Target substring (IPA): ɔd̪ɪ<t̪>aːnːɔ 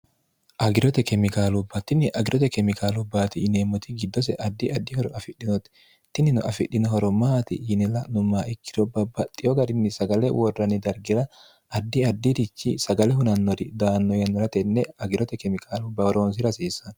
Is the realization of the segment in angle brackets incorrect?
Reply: yes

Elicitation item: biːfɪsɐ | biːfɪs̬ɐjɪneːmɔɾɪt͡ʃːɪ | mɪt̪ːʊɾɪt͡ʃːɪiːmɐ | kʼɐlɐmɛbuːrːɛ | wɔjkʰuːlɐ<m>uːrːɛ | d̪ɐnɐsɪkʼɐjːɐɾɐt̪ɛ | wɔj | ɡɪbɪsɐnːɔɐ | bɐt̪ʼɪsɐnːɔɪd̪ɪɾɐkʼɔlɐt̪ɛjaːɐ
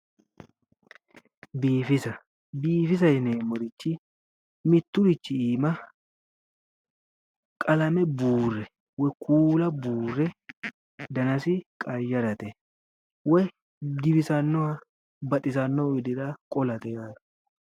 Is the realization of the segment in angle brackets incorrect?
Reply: yes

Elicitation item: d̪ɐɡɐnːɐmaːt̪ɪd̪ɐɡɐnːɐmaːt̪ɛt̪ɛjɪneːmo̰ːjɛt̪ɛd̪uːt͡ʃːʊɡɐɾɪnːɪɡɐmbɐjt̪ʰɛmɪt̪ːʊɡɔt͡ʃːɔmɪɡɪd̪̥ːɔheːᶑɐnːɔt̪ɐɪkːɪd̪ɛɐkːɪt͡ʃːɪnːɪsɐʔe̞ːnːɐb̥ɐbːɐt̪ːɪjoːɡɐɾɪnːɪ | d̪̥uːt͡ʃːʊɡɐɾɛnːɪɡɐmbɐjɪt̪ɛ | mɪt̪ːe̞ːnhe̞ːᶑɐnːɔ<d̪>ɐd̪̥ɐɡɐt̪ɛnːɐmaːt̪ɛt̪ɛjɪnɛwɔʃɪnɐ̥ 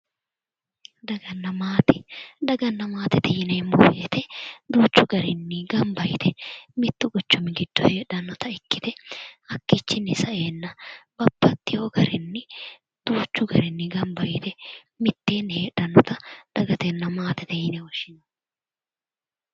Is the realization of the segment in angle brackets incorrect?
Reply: yes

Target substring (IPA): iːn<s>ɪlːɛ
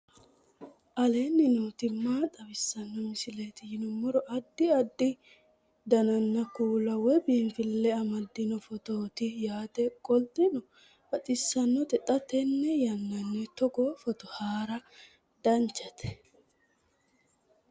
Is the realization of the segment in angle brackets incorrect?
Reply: yes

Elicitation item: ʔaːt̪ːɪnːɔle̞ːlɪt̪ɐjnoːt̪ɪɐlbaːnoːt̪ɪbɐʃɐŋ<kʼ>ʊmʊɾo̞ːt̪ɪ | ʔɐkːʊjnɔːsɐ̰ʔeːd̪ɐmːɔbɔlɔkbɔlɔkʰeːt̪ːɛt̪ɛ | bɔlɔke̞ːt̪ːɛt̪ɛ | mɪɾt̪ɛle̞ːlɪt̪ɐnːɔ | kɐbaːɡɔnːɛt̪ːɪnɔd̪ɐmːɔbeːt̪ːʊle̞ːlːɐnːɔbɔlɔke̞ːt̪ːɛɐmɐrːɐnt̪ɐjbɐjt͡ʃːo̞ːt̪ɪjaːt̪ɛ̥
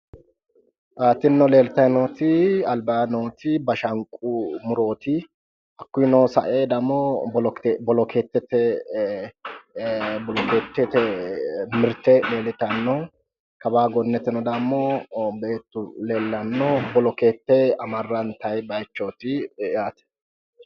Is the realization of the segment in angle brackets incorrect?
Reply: no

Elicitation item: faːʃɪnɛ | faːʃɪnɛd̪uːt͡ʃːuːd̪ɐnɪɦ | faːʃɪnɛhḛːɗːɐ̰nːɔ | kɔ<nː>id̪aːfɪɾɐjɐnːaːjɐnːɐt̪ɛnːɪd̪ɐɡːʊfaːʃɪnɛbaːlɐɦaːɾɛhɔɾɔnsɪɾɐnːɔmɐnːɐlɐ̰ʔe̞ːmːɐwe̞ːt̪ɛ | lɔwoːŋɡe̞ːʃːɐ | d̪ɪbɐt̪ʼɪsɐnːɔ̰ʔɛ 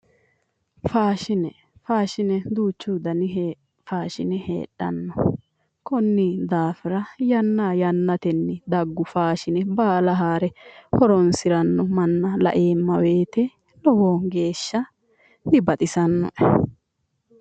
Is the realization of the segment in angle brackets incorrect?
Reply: no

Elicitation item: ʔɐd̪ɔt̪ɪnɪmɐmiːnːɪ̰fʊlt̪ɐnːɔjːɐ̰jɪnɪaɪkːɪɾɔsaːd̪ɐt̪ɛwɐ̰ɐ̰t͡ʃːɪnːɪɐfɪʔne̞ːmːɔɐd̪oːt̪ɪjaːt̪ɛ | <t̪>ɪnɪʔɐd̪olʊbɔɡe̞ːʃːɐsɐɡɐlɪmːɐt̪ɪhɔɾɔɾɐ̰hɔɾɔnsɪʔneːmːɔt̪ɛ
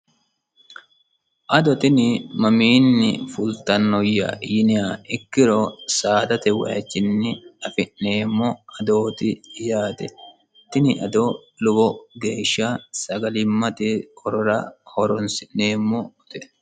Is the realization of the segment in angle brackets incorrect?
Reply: no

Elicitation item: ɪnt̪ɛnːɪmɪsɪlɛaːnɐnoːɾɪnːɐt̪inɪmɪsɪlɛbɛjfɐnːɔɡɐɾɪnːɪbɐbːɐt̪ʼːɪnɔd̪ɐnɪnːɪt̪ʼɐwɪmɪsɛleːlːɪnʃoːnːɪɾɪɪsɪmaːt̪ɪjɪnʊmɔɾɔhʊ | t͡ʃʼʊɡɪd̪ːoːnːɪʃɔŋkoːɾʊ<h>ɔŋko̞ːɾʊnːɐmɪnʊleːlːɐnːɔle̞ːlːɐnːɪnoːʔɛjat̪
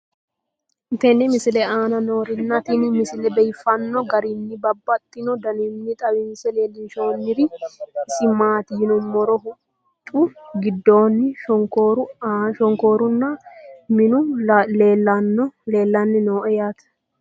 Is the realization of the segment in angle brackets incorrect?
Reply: yes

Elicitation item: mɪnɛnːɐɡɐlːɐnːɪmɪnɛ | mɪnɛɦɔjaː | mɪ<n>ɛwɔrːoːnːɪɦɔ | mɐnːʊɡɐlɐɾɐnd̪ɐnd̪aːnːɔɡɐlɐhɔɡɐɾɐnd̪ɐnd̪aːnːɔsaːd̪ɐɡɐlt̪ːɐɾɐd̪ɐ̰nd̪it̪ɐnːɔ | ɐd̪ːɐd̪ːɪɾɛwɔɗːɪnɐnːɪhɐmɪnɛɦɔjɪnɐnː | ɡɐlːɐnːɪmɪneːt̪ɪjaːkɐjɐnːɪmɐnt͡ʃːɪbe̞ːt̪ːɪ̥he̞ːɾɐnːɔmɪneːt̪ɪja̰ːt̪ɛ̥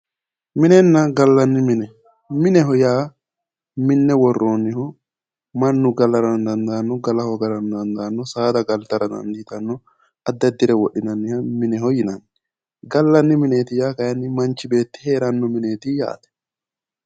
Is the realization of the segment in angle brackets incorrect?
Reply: yes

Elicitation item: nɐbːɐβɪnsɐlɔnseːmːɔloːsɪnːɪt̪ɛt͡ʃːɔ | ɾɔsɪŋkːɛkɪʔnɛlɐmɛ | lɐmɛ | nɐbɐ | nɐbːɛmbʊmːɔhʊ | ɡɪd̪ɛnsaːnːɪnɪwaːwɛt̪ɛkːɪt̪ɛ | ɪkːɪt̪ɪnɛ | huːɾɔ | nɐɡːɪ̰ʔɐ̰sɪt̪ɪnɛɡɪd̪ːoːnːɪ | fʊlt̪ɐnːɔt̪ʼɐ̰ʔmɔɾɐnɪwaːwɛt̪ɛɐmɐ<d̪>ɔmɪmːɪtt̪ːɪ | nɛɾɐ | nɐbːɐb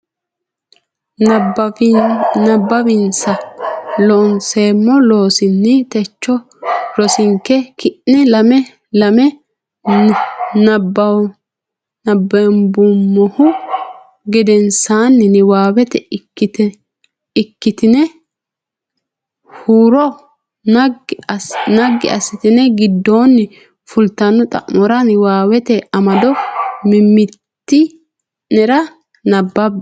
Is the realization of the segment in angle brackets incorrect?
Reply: no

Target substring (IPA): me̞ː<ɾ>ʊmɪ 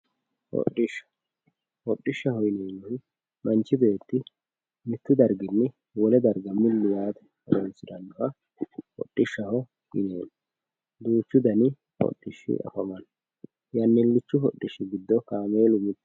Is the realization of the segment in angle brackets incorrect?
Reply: yes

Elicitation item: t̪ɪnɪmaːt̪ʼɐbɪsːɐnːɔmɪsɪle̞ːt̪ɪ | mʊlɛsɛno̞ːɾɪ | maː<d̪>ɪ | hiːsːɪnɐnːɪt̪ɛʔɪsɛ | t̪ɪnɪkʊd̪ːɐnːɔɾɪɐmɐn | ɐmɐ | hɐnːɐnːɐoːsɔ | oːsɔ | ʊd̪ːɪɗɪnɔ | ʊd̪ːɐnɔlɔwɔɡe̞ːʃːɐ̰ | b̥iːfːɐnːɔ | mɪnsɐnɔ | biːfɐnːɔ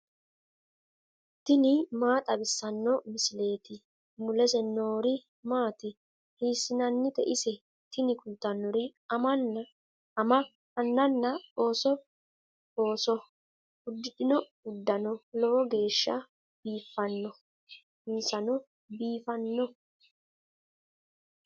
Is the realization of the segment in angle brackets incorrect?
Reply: yes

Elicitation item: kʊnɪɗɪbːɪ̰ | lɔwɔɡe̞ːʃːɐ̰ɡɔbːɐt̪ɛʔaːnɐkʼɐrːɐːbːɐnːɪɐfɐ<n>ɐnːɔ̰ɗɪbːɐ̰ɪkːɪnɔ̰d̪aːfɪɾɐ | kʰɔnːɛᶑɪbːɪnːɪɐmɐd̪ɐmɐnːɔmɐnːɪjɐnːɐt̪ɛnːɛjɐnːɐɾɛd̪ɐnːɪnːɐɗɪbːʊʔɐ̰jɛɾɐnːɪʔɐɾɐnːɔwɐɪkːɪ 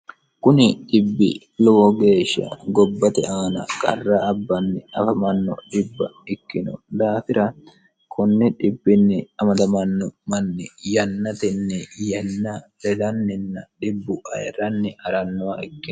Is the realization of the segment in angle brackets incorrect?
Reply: yes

